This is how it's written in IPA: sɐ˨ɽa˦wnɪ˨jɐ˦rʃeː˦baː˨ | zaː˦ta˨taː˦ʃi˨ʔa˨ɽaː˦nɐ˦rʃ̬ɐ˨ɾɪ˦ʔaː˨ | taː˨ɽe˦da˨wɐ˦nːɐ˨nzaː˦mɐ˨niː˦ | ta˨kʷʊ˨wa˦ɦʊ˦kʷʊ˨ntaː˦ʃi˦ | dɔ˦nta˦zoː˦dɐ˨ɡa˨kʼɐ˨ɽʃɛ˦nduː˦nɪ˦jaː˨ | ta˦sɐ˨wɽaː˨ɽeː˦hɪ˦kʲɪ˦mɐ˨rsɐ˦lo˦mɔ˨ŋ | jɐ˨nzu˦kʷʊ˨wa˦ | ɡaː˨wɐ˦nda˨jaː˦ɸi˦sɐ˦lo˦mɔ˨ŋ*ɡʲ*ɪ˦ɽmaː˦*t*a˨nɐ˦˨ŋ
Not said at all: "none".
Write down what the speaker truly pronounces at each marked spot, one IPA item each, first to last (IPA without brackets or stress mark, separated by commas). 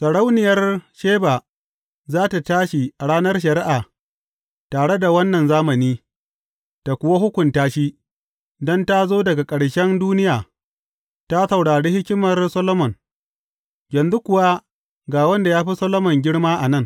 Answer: ɡʲ, ʔ